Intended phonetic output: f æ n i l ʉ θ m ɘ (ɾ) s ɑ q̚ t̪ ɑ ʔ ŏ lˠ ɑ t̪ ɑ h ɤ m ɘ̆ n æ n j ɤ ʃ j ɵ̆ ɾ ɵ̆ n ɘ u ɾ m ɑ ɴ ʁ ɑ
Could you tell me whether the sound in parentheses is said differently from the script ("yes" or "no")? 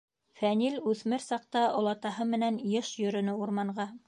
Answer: no